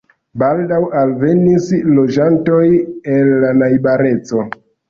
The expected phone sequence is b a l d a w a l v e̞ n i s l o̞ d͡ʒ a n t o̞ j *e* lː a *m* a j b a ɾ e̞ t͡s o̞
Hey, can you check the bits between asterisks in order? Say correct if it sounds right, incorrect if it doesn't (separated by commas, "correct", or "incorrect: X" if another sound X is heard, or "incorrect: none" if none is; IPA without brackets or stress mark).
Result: correct, incorrect: n